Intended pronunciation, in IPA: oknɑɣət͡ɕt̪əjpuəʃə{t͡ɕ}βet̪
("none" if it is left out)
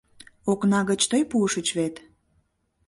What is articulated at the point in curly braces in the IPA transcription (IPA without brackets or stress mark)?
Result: t͡ɕ